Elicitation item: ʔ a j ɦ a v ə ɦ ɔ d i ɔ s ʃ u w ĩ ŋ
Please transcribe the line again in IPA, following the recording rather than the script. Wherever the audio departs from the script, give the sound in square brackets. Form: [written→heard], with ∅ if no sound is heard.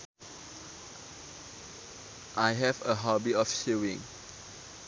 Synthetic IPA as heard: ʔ a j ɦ [a→ɛ] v ə ɦ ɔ [d→b] i ɔ [s→f] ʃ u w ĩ ŋ

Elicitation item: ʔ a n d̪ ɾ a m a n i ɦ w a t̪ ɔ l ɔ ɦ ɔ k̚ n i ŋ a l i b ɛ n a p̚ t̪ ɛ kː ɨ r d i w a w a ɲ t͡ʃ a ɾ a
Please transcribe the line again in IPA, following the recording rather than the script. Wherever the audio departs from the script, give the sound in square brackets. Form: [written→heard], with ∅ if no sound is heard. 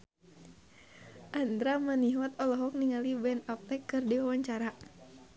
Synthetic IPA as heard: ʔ a n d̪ ɾ a m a n i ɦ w a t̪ ɔ l ɔ ɦ ɔ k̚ n i ŋ a l i b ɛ n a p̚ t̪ ɛ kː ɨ r d i w a w a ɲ t͡ʃ a ɾ a

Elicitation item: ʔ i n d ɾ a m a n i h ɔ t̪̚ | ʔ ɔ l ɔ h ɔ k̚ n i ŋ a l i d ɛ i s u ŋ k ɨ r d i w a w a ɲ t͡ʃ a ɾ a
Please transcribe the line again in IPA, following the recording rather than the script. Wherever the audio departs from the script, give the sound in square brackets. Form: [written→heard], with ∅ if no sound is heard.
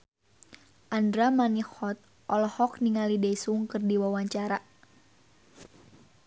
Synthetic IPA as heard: ʔ [i→a] n d ɾ a m a n i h ɔ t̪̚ | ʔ ɔ l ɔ h ɔ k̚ n i ŋ a l i d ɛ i s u ŋ k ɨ r d i w a w a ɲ t͡ʃ a ɾ a

